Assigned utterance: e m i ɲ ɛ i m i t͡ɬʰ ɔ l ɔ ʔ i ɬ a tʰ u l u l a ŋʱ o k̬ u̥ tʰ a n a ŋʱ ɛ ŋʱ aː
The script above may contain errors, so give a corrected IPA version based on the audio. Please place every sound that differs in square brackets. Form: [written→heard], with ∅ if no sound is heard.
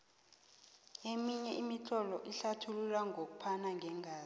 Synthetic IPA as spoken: e m i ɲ ɛ i m i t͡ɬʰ ɔ l ɔ ʔ i ɬ a tʰ u l u l a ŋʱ o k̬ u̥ [tʰ→pʰ] a n a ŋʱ ɛ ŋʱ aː

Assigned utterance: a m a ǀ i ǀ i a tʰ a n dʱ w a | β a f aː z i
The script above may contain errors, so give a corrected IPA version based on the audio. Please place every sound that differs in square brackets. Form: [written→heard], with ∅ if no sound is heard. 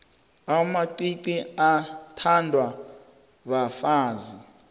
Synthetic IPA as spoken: a m a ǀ i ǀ i a tʰ a n dʱ w a | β a f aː z i

